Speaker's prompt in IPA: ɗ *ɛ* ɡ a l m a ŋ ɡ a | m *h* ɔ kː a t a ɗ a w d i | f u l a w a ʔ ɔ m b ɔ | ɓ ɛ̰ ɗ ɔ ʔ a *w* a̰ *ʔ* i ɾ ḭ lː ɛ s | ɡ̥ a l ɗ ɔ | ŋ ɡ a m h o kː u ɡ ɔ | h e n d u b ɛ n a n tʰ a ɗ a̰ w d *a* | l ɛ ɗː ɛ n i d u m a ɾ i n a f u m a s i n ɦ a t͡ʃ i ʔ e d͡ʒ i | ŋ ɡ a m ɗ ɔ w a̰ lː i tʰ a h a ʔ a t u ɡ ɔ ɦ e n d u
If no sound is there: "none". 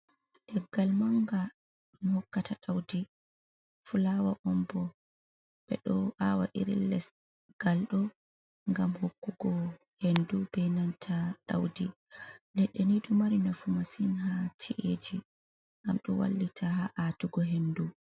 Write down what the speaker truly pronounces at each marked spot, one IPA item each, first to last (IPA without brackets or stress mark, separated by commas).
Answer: ɛ, h, w, ʔ, i